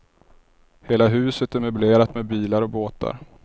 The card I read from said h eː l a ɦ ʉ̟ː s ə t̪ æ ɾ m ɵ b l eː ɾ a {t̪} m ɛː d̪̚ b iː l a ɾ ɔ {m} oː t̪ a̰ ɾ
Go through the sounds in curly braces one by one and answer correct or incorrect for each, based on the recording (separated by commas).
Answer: correct, incorrect